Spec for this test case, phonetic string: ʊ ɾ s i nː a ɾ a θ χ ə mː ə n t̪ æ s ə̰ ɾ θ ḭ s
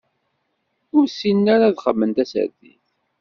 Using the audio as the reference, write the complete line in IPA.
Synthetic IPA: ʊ ɾ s i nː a ɾ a ð χ ə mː ə n t̪ æ s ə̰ ɾ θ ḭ θ